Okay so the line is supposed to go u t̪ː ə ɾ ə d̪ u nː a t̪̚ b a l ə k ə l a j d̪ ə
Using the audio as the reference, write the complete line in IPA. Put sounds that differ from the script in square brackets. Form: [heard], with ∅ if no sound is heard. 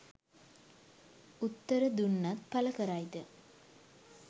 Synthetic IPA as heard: u t̪ː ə ɾ ə d̪ u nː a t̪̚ [p] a l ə k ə [ɾ] a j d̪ ə